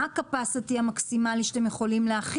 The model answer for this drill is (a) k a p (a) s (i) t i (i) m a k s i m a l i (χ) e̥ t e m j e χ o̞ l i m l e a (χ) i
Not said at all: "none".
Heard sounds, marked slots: a, a, a, a, ʃ, χ

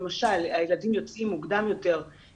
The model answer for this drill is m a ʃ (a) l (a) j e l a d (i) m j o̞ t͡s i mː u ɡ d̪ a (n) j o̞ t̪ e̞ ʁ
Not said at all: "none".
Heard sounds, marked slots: a, a, i, m

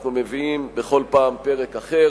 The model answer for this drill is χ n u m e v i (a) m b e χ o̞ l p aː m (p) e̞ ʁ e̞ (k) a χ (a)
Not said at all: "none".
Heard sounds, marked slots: i, p, k, e

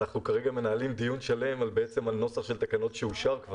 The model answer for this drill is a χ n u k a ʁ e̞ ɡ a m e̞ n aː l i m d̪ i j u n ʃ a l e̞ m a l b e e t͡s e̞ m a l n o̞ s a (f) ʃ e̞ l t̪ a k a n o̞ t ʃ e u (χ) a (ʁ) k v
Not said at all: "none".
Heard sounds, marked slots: χ, ʃ, ʁ

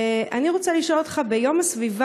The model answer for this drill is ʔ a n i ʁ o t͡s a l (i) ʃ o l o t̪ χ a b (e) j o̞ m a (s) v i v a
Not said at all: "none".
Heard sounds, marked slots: i, e, s

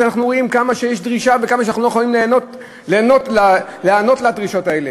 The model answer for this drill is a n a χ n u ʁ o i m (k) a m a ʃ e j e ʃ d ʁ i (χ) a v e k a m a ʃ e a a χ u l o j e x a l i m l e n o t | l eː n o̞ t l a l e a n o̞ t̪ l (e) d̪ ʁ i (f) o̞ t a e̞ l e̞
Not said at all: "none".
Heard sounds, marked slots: k, ʃ, a, ʃ

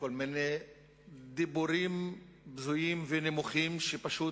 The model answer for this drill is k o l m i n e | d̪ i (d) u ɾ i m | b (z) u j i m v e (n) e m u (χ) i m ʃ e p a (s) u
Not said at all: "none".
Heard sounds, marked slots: b, z, n, χ, ʃ

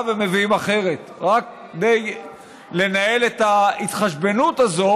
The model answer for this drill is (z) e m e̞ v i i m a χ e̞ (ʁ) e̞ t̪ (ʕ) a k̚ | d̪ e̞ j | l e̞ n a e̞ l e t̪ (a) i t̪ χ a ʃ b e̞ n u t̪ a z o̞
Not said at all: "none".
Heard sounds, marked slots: v, ʁ, ʁ, a

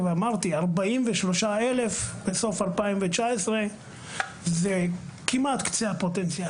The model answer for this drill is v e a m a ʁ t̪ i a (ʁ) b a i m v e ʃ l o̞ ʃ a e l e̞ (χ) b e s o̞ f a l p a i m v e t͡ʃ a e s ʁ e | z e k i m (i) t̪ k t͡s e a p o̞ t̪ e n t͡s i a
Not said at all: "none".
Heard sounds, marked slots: ʁ, f, a

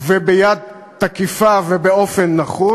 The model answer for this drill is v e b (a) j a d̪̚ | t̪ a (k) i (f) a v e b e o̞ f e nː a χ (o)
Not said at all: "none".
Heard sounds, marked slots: e, k, f, u

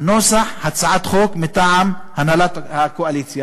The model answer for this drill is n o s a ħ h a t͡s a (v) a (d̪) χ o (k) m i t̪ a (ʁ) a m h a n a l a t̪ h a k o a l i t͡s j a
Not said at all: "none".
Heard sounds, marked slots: ʕ, t̪, k, ʕ

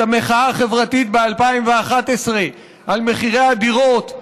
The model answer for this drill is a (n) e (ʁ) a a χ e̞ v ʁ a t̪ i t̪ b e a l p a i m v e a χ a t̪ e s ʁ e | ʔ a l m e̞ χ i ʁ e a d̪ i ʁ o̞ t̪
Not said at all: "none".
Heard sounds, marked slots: m, χ

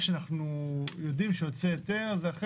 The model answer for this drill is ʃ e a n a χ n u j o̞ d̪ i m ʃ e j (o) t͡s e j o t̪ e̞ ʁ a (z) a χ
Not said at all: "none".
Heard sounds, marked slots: o, z

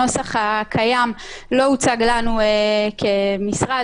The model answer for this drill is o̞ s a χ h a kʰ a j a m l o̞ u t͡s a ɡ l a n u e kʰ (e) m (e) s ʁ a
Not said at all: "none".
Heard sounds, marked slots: e, i

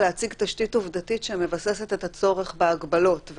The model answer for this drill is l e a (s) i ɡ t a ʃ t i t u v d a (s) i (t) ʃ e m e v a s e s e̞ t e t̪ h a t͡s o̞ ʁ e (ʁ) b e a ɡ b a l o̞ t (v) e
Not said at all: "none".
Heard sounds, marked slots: t͡s, t, t, χ, v

